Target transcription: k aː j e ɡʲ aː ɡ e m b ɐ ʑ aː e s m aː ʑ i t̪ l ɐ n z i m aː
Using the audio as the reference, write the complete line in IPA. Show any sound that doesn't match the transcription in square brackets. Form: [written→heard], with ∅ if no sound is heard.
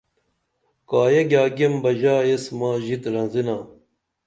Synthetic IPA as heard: k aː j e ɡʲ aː ɡ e m b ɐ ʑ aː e s m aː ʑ i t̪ [l→ɾ] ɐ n z i [m→n] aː